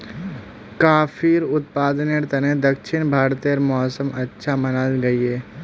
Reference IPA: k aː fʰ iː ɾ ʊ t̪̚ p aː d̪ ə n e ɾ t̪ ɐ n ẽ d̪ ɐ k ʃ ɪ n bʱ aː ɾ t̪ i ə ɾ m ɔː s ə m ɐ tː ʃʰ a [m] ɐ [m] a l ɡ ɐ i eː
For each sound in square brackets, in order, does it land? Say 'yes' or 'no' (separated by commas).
yes, no